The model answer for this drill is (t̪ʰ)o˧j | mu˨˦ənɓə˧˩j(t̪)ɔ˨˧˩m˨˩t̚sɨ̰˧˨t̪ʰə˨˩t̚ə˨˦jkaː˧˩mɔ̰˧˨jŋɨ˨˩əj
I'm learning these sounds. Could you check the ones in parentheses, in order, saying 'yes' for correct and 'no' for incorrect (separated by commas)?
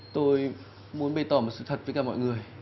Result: no, yes